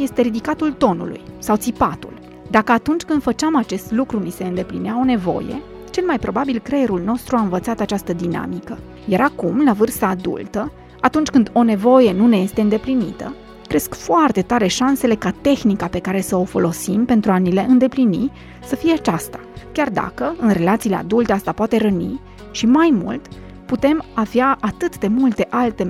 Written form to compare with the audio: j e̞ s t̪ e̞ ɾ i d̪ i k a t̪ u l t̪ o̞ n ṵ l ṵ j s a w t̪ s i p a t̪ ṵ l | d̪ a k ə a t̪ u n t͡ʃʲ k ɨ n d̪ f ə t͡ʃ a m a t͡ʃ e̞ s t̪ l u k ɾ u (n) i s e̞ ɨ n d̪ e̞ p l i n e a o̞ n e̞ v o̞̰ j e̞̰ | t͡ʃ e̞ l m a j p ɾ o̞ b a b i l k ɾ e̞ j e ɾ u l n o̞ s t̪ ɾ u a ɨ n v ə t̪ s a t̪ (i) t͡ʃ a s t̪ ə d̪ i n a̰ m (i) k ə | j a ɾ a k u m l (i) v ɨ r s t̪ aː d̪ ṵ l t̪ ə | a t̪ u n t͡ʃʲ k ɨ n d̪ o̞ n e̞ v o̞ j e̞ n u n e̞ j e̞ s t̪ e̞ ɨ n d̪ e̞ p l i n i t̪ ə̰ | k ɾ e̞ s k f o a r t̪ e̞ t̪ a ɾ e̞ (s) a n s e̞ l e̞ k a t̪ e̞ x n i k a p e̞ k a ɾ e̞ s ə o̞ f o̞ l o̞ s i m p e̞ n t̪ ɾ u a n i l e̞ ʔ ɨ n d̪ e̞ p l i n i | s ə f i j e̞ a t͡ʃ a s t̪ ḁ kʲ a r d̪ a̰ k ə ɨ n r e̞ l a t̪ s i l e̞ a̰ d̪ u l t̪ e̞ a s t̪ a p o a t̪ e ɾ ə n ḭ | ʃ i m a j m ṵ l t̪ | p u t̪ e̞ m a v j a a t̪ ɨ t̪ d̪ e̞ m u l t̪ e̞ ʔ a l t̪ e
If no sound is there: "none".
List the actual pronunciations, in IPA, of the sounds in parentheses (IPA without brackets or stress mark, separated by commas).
n, a, i, a, ʃ